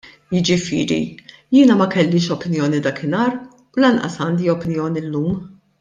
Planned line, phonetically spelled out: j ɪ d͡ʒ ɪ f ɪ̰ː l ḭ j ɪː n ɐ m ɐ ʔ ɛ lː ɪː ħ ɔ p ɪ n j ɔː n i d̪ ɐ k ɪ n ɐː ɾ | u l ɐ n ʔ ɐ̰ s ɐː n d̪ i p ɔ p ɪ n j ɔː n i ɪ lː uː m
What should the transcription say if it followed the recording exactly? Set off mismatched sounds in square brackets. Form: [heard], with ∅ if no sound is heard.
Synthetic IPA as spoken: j ɪ d͡ʒ ɪ f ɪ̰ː [ɾ] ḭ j ɪː n ɐ m ɐ [k] ɛ lː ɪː [ʃ] ɔ p ɪ n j ɔː n i d̪ ɐ k ɪ n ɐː ɾ | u l ɐ n ʔ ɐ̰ s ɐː n d̪ i [∅] ɔ p ɪ n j ɔː n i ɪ lː uː m

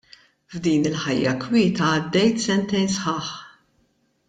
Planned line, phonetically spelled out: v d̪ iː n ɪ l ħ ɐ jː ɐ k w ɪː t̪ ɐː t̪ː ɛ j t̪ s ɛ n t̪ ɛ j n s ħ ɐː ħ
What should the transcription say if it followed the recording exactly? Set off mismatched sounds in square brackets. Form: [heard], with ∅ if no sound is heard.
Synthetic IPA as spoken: v d̪ iː n ɪ l ħ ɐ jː ɐ k w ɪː t̪ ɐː [d̪ː] ɛ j t̪ s ɛ n t̪ ɛ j n s ħ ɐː ħ

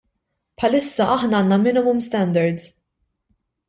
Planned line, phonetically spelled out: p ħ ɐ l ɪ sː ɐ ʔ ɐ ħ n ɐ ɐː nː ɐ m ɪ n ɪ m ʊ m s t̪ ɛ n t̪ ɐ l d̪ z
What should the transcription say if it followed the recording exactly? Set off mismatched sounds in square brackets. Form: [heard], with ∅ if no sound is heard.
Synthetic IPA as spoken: p ħ ɐ l ɪ sː ɐ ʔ ɐ ħ n ɐ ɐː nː ɐ m ɪ n ɪ m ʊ m s t̪ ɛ n [d̪] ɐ [ɾ] d̪ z

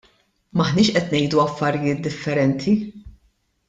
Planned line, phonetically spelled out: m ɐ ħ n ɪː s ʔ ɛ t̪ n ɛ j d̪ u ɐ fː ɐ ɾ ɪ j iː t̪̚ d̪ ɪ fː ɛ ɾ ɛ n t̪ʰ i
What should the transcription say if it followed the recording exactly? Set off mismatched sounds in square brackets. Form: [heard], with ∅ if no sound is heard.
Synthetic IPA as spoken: m ɐ ħ n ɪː [ʃ] ʔ ɛ t̪ n ɛ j d̪ u ɐ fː ɐ ɾ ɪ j [ɪː] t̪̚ d̪ ɪ fː ɛ ɾ ɛ n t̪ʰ i

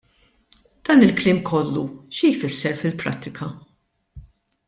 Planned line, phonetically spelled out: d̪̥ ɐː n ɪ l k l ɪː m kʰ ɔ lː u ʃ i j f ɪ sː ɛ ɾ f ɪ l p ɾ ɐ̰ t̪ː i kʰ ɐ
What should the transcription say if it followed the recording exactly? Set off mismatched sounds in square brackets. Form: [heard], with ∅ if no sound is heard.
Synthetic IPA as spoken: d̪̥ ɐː n ɪ l k l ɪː m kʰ ɔ lː u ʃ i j f ɪ sː ɛ ɾ f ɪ l p ɾ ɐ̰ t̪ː [ɪ] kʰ ɐ

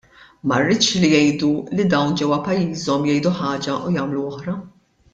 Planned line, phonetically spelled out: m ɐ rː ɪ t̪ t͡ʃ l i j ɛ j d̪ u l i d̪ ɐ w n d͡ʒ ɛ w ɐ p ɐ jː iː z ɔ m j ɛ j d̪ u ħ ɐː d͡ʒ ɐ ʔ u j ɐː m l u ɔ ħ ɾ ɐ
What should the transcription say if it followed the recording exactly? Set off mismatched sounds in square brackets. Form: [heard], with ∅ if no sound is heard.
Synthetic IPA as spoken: m ɐ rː ɪ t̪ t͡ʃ l i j ɛ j d̪ u l i d̪ ɐ w n d͡ʒ ɛ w ɐ p ɐ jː iː z ɔ m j ɛ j d̪ u ħ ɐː d͡ʒ ɐ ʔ u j ɐː m l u ɔ ħ ɾ ɐ

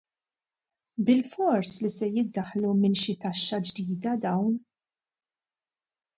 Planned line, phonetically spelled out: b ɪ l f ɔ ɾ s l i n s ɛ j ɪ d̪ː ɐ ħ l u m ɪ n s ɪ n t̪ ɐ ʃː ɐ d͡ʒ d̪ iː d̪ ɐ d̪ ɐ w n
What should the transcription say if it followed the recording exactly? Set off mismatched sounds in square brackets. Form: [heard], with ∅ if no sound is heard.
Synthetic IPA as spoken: b ɪ l f ɔ ɾ s l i [∅] s ɛ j ɪ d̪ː ɐ ħ l u m ɪ n [ʃ] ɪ [∅] t̪ ɐ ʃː ɐ d͡ʒ d̪ iː d̪ ɐ d̪ ɐ w n

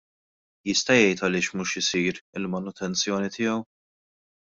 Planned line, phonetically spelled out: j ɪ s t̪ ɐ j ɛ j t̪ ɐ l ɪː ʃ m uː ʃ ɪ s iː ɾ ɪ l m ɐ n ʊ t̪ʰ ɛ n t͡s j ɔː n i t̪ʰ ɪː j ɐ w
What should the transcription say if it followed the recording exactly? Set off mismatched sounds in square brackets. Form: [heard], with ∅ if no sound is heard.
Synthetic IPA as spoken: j ɪ s t̪ ɐ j ɛ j t̪ ɐ l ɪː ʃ m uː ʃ ɪ s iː ɾ ɪ l m ɐ n ʊ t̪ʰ ɛ n t͡s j ɔː n i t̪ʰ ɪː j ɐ w

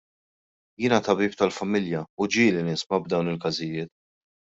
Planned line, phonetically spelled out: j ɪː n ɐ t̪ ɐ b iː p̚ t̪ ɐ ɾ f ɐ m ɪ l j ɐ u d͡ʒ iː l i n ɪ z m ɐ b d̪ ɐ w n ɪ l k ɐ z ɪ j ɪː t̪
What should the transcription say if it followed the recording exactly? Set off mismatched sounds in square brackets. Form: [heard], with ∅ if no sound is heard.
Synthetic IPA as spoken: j ɪː n ɐ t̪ ɐ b iː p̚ t̪ ɐ [l] f ɐ m ɪ l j ɐ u d͡ʒ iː l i n ɪ [s] m ɐ b d̪ ɐ w n ɪ l k ɐ z ɪ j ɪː t̪

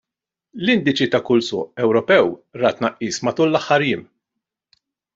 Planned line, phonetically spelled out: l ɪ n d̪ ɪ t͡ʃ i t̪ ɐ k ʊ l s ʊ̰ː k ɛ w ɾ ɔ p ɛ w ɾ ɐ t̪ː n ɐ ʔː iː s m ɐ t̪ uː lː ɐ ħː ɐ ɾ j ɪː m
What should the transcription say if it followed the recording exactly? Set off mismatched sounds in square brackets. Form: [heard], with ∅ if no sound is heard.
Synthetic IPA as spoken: l ɪ n d̪ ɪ t͡ʃ i t̪ ɐ k ʊ l s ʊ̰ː [ʔ] ɛ w ɾ ɔ p ɛ w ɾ ɐ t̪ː n ɐ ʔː iː s m ɐ t̪ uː lː ɐ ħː ɐ ɾ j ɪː m

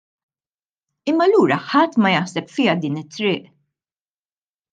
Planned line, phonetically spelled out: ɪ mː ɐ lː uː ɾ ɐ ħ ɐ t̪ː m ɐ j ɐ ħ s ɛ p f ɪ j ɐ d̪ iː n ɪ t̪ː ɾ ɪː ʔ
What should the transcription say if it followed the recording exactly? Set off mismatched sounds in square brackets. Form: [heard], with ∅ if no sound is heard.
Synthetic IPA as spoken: ɪ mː ɐ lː uː ɾ ɐ ħ ɐ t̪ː m ɐ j ɐ ħ s ɛ p f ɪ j ɐ d̪ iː n ɪ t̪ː ɾ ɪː ʔ

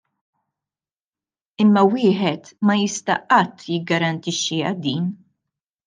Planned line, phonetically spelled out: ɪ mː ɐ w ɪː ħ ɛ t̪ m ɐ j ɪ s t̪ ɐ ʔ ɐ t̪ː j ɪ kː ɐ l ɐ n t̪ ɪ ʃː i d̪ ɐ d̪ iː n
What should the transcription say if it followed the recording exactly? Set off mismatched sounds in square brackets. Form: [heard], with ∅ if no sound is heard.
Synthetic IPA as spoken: ɪ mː ɐ w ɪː ħ ɛ t̪ m ɐ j ɪ s t̪ ɐ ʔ ɐ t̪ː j ɪ [ɡː] ɐ [ɾ] ɐ n t̪ ɪ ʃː i [∅] ɐ d̪ iː n

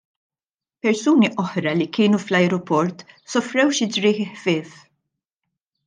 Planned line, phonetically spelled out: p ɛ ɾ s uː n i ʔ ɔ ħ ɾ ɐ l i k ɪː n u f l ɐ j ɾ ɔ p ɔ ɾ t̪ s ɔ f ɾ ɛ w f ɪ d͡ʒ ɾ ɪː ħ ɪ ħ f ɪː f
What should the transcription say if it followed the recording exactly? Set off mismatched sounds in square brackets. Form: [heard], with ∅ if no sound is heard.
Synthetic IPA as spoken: p ɛ ɾ s uː n i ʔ ɔ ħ ɾ ɐ l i k ɪː n u f l ɐ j ɾ ɔ p ɔ ɾ t̪ s ɔ f ɾ ɛ w [ʃ] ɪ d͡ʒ ɾ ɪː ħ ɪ ħ f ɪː f

